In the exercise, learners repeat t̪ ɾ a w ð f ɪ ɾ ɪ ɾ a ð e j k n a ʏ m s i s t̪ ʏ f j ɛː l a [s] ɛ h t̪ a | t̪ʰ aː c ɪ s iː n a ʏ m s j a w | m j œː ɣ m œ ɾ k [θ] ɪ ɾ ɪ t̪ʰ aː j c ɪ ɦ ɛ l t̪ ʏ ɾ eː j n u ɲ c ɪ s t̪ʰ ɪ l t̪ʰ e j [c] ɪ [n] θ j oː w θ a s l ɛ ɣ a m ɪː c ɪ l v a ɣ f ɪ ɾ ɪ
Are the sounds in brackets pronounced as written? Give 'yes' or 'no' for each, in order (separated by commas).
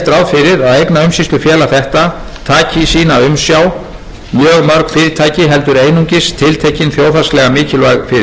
no, no, yes, yes